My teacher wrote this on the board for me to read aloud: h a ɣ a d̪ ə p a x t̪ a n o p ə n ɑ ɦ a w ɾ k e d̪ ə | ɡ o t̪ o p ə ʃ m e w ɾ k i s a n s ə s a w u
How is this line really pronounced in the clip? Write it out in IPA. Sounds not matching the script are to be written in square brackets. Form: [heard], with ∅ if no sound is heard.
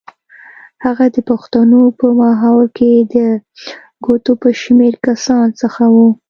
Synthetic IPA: h a ɣ a d̪ ə p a x t̪ a n o p ə [m] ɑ ɦ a w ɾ k e d̪ ə | ɡ o t̪ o p ə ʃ m e [∅] ɾ k [a] s [ɑ] n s ə [x] a w u